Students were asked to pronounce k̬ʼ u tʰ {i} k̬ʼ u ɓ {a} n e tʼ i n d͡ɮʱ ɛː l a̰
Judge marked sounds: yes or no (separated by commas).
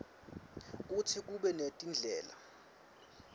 yes, no